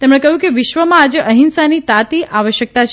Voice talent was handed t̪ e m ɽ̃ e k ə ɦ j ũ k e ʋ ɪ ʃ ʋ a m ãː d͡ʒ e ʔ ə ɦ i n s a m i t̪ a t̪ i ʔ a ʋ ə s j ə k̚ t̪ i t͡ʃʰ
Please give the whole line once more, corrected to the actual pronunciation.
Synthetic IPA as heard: t̪ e m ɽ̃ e k ə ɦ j ũ k e ʋ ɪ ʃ ʋ ə m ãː d͡ʒ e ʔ ə ɦ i n s a n i t̪ a t̪ i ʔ a ʋ ə ʃ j ə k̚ t̪ a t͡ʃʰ